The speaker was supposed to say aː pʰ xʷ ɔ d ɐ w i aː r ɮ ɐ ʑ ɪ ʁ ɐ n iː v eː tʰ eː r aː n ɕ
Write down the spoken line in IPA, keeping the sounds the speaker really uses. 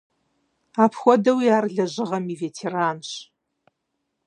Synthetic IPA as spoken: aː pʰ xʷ ɔ d ɐ w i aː r ɮ ɐ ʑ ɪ ʁ ɐ m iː v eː tʰ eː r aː n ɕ

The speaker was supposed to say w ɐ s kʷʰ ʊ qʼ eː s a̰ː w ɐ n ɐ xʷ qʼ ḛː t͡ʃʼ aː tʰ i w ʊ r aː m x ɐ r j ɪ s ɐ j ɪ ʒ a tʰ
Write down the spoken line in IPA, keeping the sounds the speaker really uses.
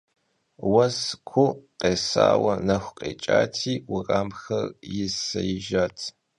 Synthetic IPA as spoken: w ɐ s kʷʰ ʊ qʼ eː s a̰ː w ɐ n ɐ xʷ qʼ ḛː t͡ʃʼ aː tʰ iː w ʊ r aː m x ɐ r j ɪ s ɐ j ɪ ʒ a tʰ

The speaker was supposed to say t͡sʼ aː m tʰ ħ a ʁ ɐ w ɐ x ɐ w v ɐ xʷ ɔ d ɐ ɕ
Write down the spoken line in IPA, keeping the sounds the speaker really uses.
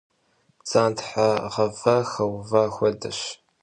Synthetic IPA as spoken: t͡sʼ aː n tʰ ħ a ʁ ɐ v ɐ x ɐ w v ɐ xʷ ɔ d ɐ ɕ

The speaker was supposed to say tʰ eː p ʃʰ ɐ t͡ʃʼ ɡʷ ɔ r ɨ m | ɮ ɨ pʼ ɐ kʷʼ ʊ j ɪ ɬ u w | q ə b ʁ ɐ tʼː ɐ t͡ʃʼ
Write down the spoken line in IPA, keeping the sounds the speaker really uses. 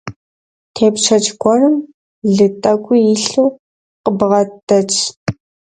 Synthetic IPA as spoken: tʰ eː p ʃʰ ɐ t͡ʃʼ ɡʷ ɔ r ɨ m | ɮ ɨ tʼ ɐ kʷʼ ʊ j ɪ ɬ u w | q ə b ʁ ɐ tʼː ɐ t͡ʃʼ

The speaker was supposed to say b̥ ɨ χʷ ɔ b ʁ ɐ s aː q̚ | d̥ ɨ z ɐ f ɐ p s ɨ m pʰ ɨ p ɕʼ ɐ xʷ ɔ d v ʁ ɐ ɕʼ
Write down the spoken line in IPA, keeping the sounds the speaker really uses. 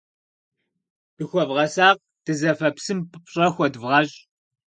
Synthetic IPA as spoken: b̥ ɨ xʷ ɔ v ʁ ɐ s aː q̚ | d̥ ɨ z ɐ f ɐ p s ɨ m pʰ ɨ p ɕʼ ɐ xʷ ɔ d v ʁ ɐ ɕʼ

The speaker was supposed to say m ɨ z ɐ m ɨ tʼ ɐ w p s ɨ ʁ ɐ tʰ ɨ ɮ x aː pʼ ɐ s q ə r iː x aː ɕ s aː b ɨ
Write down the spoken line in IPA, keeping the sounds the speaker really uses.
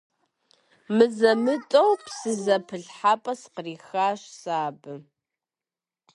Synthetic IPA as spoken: m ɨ z ɐ m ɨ tʼ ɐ w p s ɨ z ɐ pʰ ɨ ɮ ħ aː pʼ ɐ s q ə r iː x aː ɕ s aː b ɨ

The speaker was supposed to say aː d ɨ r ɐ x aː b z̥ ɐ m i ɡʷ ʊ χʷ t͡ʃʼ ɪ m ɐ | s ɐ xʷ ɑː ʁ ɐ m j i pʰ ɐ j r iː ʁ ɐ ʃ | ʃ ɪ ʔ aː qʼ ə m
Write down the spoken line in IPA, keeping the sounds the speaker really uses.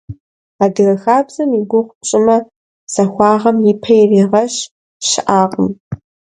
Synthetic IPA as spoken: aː d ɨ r ɐ x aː b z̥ ɐ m i ɡʷ ʊ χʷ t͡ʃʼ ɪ m ɐ | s ɐ xʷ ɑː ʁ ɐ m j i pʰ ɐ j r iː ʁ ɐ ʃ | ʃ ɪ ʔ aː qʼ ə m

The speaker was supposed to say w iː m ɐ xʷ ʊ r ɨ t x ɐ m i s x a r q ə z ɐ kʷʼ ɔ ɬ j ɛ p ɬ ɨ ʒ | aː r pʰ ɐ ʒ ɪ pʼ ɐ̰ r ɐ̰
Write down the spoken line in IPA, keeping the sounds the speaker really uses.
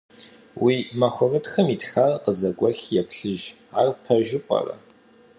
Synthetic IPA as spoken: w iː m ɐ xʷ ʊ r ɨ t x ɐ m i t x a r q ə z ɐ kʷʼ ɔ ɬ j ɛ p ɬ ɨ ʒ | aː r pʰ ɐ ʒ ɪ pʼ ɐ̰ r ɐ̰

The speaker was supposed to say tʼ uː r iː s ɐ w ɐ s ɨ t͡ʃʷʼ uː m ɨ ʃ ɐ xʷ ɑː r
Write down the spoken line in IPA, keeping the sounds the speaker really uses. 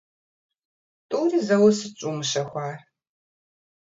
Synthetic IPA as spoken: tʼ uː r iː z ɐ w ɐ s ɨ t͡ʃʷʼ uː m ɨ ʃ ɐ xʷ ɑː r

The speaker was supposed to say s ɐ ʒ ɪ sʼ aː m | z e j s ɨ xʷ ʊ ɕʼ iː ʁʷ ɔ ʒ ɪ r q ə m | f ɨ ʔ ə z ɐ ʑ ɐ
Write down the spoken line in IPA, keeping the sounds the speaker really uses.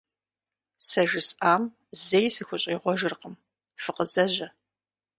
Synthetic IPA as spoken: s ɐ ʒ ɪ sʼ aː m | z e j s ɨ xʷ ʊ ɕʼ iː ʁʷ ɔ ʒ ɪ r q ə m | f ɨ q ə z ɐ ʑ ɐ

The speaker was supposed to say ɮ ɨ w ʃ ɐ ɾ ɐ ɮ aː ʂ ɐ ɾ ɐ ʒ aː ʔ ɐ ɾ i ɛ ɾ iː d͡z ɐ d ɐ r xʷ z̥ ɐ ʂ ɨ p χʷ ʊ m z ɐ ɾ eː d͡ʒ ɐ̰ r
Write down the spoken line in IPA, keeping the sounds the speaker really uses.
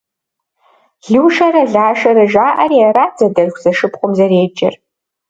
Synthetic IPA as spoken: ɮ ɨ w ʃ ɐ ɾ ɐ ɮ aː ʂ ɐ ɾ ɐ ʒ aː ʔ ɐ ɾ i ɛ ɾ aː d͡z ɐ d ɐ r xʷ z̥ ɐ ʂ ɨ p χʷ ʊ m z ɐ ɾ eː d͡ʒ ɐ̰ r

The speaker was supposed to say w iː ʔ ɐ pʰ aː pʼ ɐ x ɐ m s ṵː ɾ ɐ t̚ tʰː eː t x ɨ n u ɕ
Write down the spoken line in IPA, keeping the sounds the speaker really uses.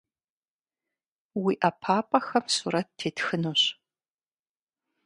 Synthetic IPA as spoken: w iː ʔ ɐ pʰ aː pʼ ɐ x ɐ m s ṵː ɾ ɐ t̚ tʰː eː t x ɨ n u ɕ

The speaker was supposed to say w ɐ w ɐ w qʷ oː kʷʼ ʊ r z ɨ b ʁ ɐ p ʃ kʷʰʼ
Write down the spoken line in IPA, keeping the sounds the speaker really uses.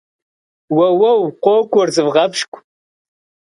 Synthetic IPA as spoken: w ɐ w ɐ w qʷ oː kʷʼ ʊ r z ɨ v ʁ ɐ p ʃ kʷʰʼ

